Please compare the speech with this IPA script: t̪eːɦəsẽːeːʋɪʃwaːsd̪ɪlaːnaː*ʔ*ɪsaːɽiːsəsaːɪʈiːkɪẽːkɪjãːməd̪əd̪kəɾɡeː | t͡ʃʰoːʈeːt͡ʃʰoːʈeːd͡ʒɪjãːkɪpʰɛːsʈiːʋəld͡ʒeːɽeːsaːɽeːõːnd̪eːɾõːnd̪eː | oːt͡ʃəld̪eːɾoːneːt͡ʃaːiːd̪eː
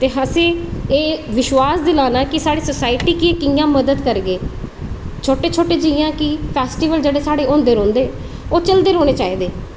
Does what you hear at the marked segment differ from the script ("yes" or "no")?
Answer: yes